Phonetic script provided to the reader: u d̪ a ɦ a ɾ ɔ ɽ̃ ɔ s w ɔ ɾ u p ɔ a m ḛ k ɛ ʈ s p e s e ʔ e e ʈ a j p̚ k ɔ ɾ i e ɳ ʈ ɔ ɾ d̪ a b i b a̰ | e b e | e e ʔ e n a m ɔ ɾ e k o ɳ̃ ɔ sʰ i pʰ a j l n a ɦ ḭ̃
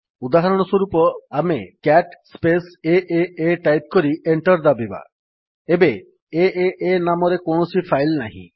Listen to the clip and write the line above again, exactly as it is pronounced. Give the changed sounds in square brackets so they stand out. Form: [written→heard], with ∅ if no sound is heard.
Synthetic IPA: u d̪ a ɦ a ɾ ɔ ɽ̃ ɔ s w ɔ ɾ u p ɔ a m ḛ k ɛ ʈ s p e s e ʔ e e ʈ a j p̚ k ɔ ɾ i e ɳ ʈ ɔ ɾ d̪ a b i b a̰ | e b e | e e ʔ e n a m ɔ ɾ e k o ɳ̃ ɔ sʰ i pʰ a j l n a ɦ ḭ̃